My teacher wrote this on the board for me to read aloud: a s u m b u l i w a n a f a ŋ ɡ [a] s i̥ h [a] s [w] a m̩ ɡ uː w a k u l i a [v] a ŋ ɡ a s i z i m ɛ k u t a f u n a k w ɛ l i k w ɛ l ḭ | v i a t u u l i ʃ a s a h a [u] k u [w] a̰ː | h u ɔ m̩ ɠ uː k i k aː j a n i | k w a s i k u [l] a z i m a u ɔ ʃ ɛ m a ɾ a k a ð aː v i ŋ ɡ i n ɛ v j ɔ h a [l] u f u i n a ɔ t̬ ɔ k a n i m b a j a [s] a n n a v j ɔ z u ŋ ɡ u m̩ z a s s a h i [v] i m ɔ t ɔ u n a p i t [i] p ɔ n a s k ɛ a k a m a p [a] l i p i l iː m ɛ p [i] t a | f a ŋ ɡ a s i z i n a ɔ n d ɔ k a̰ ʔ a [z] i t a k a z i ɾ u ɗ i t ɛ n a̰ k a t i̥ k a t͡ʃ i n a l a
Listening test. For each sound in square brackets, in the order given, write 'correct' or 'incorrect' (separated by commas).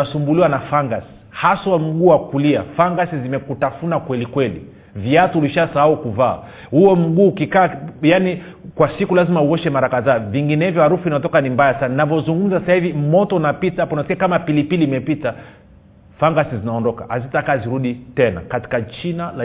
correct, correct, correct, incorrect, correct, incorrect, correct, incorrect, correct, correct, incorrect, incorrect, correct, correct